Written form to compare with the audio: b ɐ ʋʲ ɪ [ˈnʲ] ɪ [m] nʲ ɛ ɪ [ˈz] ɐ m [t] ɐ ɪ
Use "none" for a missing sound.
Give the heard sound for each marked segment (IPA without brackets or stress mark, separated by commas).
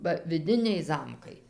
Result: dʲ, none, z, k